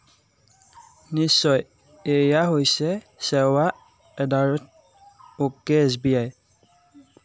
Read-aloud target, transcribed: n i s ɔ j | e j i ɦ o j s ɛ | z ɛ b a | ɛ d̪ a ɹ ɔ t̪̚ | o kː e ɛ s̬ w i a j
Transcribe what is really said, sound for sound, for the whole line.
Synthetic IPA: n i s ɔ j | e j a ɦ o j s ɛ | s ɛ w a | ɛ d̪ a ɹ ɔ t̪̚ | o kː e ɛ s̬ b i a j